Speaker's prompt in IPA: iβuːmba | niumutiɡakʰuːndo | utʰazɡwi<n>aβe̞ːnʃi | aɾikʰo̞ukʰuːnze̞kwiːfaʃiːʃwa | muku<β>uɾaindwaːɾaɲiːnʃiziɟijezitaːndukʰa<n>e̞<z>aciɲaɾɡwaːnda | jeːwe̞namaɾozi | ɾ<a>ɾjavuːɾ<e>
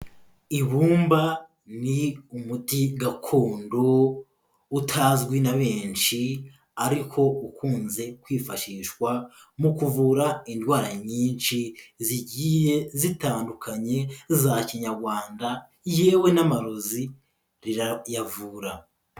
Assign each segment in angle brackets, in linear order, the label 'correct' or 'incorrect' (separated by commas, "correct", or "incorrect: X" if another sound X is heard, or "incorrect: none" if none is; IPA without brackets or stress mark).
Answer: correct, incorrect: v, incorrect: ɲ, correct, incorrect: i, incorrect: a